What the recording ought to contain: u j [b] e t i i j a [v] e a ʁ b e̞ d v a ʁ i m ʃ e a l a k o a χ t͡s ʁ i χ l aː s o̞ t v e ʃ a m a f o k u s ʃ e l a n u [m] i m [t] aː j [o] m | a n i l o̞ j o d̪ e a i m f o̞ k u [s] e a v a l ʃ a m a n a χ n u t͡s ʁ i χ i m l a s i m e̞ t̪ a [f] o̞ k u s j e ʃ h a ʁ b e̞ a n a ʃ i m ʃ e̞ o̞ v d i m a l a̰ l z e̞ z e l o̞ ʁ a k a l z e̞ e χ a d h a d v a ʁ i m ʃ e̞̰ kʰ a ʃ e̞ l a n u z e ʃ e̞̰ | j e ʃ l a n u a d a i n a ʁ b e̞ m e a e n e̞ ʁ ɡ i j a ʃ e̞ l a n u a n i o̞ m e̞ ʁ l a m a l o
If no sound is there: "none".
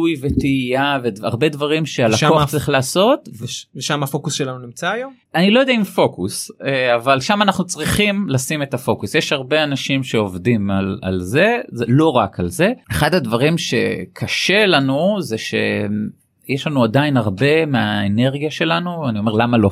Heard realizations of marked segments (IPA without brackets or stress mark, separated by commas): v, v, n, t͡s, o, s, f